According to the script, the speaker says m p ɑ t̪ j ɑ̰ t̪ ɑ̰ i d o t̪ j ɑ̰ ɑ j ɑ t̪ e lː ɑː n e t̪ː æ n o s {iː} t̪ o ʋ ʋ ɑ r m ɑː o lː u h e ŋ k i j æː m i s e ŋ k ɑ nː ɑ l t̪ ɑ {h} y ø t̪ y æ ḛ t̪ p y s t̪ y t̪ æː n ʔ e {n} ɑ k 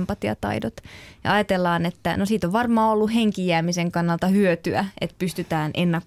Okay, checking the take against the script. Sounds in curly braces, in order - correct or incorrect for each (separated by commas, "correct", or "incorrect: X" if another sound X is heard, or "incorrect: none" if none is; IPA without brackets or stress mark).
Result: correct, correct, incorrect: nː